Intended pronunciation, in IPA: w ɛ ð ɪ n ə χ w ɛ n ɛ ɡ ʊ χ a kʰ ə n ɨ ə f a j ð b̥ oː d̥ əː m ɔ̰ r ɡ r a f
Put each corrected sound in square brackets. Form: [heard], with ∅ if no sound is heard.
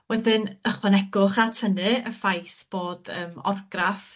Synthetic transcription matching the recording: w ɛ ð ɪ n ə χ w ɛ n ɛ ɡ ʊ χ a [tʰ] ə n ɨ ə f a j [θ] b̥ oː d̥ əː m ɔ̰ r ɡ r a f